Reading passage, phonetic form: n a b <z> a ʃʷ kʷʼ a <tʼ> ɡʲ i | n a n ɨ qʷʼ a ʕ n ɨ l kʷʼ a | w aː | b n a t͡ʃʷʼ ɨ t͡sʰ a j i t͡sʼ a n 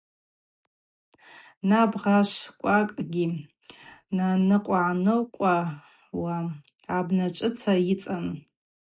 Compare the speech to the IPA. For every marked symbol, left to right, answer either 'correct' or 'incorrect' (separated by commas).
incorrect, incorrect